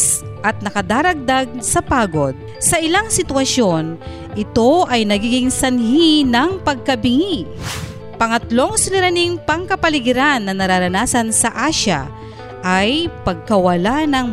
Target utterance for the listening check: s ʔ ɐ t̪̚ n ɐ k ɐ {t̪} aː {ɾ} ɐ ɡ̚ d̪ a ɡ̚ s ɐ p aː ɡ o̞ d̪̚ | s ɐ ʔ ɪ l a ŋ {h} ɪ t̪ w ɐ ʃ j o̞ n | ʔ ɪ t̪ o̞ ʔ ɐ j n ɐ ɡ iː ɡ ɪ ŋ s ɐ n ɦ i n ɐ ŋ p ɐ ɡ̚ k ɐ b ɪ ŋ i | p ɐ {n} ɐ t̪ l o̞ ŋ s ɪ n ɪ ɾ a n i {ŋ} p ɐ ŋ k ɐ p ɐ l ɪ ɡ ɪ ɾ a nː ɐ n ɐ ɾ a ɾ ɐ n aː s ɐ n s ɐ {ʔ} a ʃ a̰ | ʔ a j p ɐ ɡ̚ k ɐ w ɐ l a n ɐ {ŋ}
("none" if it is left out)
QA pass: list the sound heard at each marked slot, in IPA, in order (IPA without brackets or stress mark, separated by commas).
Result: d̪, ɾ, s, ŋ, ŋ, ʔ, ŋ